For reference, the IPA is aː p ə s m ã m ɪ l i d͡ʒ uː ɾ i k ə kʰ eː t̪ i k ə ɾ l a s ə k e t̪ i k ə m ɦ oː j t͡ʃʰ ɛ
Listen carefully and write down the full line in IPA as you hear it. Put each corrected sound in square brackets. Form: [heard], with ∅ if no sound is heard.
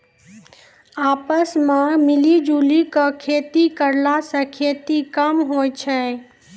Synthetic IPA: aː p ə s m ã m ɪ l i d͡ʒ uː [l] i k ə kʰ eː t̪ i k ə ɾ l a s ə [kʰ] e t̪ i k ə m ɦ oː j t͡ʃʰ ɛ